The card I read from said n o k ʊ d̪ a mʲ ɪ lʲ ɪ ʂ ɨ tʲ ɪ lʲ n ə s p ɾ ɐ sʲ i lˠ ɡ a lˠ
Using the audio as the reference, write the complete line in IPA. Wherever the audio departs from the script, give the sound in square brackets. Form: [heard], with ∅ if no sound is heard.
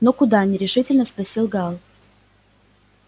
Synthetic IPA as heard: n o k ʊ d̪ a [nʲ] ɪ [ɾʲ] ɪ ʂ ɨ tʲ ɪ lʲ n ə s p ɾ ɐ sʲ i lˠ ɡ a lˠ